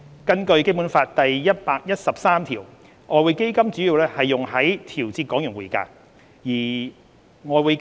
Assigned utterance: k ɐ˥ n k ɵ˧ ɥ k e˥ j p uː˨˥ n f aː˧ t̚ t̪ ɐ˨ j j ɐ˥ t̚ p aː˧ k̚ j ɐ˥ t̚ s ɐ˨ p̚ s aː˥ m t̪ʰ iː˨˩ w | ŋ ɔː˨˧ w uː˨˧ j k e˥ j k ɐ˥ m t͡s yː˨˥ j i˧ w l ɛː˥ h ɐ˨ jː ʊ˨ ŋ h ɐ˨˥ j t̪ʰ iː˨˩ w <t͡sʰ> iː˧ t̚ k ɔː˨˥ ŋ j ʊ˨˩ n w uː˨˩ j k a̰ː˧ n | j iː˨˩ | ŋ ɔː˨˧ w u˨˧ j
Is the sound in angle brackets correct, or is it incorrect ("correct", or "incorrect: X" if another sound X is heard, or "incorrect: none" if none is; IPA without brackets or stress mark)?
incorrect: t͡s